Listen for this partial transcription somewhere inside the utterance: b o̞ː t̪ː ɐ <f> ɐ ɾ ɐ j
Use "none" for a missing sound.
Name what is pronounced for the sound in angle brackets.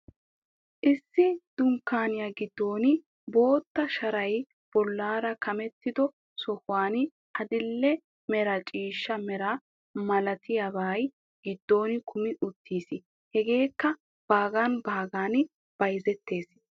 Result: ʃ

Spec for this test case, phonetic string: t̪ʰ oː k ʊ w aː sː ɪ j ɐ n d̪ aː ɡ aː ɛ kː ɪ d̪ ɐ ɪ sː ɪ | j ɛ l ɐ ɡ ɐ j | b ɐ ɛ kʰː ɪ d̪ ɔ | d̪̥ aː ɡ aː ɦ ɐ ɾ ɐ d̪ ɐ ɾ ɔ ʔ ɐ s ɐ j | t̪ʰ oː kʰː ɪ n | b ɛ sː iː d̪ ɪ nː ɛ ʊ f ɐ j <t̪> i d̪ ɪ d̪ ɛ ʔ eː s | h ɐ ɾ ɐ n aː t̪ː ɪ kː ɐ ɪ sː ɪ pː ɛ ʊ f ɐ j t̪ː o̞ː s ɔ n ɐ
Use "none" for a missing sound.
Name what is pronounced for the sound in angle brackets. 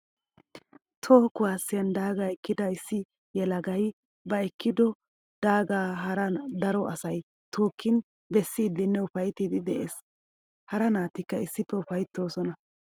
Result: t̪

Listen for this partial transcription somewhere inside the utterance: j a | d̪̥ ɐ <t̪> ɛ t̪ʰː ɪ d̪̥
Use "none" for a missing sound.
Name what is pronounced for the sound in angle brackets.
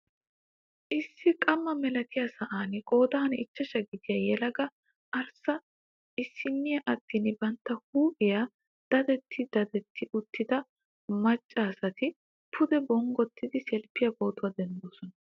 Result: d̪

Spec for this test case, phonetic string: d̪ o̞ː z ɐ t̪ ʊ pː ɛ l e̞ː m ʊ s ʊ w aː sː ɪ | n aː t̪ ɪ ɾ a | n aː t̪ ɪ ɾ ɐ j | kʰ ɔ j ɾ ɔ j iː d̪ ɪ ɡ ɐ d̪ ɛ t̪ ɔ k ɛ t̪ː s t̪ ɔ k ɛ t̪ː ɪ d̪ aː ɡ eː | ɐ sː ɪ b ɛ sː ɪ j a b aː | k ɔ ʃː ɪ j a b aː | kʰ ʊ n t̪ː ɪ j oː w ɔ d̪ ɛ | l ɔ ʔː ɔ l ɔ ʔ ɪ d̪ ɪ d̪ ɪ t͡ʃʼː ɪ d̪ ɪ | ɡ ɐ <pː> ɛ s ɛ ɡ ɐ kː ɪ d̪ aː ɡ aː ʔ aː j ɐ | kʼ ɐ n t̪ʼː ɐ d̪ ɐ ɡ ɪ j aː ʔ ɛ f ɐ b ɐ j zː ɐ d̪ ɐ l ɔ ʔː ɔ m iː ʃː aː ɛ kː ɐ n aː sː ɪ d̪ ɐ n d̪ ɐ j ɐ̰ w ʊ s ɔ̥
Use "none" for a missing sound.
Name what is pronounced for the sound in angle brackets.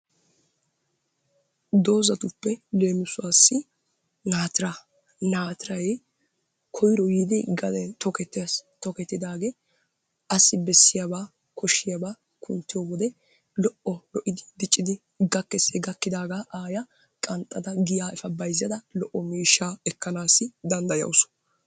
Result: kː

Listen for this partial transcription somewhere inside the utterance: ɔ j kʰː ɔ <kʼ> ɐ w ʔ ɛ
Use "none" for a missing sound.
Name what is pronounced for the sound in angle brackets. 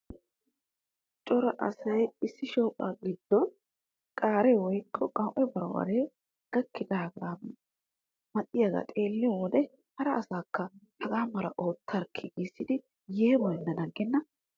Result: kʼ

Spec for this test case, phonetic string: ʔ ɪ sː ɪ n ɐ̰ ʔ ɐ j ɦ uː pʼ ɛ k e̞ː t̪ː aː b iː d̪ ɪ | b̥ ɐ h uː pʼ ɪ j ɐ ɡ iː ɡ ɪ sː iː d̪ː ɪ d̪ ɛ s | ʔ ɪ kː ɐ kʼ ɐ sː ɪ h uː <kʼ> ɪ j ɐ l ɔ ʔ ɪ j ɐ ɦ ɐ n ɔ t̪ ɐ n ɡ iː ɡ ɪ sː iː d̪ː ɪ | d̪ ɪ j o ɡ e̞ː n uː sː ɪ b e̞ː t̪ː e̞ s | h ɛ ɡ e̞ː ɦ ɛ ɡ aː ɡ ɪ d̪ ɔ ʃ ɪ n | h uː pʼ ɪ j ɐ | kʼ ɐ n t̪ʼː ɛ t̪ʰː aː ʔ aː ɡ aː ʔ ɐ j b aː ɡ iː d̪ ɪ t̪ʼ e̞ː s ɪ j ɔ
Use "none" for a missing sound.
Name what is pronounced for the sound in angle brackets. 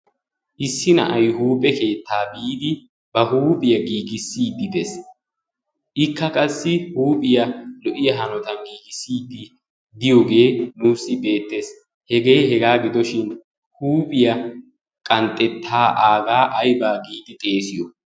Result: pʼ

